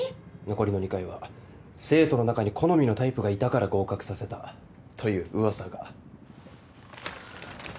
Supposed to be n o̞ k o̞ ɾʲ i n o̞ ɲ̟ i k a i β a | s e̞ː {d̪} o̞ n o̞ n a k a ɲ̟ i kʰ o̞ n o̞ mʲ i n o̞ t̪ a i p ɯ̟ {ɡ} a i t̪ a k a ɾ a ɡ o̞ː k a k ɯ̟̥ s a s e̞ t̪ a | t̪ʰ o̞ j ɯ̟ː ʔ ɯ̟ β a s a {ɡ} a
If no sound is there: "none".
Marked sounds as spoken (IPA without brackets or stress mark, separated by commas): t̪, ɡ, ɡ